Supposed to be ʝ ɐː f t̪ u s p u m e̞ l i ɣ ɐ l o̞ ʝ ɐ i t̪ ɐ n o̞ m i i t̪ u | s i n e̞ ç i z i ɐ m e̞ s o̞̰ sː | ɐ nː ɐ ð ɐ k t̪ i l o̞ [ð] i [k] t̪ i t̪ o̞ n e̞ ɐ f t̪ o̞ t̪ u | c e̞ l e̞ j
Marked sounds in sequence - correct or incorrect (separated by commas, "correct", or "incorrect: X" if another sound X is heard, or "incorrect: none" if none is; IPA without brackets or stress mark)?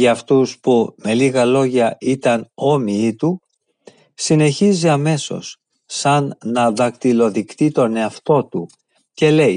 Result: correct, correct